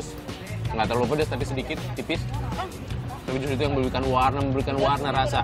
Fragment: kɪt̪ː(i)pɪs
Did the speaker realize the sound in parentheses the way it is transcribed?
yes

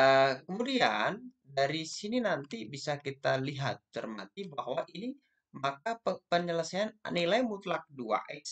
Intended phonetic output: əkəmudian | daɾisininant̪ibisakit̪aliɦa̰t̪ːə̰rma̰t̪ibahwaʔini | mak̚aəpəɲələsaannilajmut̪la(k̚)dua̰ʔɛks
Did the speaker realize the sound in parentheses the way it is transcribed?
yes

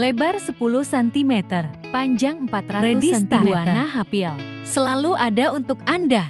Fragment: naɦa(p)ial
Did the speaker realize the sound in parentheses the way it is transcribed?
yes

